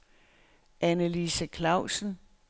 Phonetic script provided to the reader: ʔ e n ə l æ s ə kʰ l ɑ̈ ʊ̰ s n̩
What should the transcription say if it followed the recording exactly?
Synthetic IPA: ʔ æ n ə l i s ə kʰ l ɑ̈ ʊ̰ s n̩

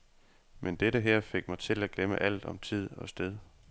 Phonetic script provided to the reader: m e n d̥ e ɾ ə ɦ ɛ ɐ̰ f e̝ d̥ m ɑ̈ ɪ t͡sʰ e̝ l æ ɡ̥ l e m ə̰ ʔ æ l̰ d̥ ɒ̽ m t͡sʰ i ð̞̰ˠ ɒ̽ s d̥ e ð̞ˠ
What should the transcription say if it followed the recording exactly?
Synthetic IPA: m e n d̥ e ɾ ə ɦ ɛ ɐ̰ f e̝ ɡ̥ m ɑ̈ ɪ t͡sʰ e̝ l æ ɡ̥ l e m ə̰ ʔ æ l̰ d̥ ɒ̽ m t͡sʰ i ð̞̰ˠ ɒ̽ s d̥ e ð̞ˠ

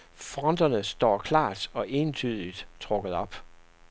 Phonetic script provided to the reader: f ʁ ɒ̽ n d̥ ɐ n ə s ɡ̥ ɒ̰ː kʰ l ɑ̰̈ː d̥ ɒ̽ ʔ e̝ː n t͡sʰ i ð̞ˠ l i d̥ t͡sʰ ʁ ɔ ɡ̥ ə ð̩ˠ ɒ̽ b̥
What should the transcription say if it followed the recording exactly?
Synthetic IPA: f ʁ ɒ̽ n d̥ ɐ n ə s d̥ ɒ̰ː kʰ l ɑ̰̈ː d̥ ɒ̽ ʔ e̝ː n t͡sʰ y ð̞ˠ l i d̥ t͡sʰ ʁ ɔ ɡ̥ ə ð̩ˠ ɒ̽ b̥

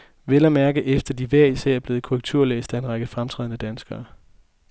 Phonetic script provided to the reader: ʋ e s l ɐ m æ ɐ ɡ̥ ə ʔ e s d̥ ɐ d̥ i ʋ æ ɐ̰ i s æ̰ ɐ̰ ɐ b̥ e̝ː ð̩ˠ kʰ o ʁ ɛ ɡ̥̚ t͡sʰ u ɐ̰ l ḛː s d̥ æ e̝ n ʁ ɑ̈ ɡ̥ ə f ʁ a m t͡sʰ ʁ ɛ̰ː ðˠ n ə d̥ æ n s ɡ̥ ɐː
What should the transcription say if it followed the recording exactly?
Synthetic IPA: ʋ e l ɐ m æ ɐ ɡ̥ ə ʔ e f d̥ ɐ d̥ i ʋ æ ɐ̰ i s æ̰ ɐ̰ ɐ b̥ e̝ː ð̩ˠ kʰ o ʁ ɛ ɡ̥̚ t͡sʰ u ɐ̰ l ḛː s d̥ æ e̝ n ʁ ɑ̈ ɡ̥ ə f ʁ a m t͡sʰ ʁ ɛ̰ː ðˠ n ə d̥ æ n s ɡ̥ ɐː

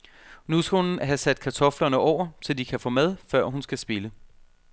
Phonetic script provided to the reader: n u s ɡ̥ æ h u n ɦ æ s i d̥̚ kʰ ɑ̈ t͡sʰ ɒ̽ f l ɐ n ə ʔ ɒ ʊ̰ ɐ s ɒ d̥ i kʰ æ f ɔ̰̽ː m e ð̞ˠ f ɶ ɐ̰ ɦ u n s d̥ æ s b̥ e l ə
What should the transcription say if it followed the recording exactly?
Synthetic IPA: n u s ɡ̥ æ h u n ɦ æ s æ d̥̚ kʰ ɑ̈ t͡sʰ ɒ̽ f l ɐ n ə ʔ ɒ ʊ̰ ɐ s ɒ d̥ i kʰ æ f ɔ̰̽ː m e ð̞ˠ f ɶ ɐ̰ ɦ u n s ɡ̥ æ s b̥ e l ə

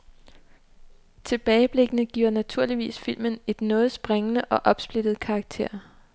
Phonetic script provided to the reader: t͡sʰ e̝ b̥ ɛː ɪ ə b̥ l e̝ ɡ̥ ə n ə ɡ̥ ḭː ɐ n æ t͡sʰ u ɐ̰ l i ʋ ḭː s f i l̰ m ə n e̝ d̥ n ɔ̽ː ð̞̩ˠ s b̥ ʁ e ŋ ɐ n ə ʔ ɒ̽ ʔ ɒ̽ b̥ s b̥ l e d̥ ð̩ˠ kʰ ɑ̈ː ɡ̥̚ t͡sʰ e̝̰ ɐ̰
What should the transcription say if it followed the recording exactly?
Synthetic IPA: t͡sʰ e̝ b̥ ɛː ɪ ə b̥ l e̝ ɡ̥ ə n ə ɡ̥ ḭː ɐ n æ t͡sʰ u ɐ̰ l i ʋ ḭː s f i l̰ m ə n e̝ d̥ n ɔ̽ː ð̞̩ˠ s b̥ ʁ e ŋ ə n ə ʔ ɒ̽ ʔ ɒ̽ b̥ s b̥ l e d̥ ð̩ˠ kʰ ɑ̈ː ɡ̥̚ t͡sʰ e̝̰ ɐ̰

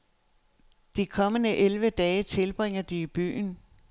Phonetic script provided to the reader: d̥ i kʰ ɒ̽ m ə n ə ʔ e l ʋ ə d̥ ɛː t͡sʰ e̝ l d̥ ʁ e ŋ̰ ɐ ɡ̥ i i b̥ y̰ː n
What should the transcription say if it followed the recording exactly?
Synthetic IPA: d̥ i kʰ ɒ̽ m ə n ə ʔ e l ʋ ə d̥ ɛː t͡sʰ e̝ l b̥ ʁ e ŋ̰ ɐ d̥ i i b̥ y̰ː n

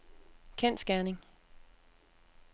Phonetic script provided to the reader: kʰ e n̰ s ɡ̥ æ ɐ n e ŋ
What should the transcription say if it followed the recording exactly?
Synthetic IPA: kʰ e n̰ s ɡ̥ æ ɐ n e ŋ

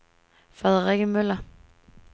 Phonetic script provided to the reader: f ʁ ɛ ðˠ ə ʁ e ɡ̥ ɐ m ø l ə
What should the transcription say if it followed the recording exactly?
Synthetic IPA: f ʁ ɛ ðˠ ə ʁ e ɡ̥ ə m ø l ɐ

